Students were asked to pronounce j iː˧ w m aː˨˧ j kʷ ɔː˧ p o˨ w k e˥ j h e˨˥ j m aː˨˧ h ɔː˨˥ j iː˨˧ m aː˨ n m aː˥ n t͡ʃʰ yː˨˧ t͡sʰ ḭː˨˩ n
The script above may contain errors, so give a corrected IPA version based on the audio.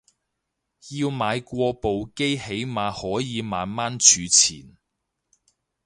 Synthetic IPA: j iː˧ w m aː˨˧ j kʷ ɔː˧ p o˨ w k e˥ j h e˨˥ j m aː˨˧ h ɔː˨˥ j iː˨˧ m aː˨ n m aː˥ n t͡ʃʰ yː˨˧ t͡sʰ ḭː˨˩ n